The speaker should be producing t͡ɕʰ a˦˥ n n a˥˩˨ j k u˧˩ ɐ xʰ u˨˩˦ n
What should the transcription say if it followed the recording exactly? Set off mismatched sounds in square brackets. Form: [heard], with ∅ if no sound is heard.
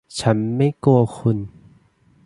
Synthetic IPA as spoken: t͡ɕʰ a˦˥ n [m] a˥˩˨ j k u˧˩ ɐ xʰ [u˧˩˨] n